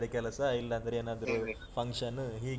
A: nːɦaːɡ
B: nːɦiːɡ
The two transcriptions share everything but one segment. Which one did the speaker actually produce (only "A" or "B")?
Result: B